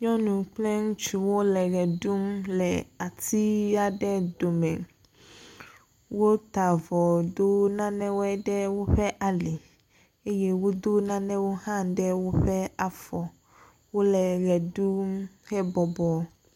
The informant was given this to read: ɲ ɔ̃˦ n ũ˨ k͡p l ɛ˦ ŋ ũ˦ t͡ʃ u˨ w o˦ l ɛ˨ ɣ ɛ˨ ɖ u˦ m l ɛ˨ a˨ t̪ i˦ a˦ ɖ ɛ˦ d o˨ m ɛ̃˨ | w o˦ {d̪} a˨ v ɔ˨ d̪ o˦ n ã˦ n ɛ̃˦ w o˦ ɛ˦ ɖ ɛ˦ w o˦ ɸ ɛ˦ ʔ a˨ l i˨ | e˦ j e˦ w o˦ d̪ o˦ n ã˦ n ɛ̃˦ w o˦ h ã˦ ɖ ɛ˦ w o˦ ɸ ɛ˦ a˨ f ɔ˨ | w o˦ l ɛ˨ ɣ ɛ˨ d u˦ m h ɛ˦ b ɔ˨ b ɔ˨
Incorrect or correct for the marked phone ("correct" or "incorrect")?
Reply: incorrect